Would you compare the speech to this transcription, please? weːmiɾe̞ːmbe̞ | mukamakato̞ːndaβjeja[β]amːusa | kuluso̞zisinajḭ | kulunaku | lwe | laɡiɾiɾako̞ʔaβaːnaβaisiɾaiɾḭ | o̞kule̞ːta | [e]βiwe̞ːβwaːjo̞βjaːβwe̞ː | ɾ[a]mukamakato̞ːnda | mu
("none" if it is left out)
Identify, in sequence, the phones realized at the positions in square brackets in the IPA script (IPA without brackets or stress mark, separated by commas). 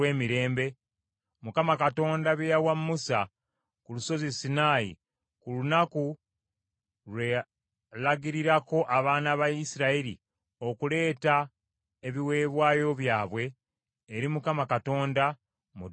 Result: w, e, i